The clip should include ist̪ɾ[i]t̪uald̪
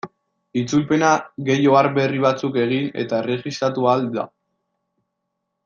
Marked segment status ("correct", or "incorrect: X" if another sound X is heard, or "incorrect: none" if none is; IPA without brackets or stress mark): incorrect: a